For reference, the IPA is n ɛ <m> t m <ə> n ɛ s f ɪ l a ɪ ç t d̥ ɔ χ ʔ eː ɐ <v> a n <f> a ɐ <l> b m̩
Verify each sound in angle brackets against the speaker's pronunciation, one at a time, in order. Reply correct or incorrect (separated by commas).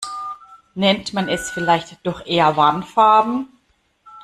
incorrect, incorrect, correct, correct, incorrect